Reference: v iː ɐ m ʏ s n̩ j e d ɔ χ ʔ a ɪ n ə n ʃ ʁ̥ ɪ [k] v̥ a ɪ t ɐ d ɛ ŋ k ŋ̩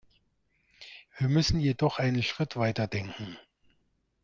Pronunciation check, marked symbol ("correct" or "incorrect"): incorrect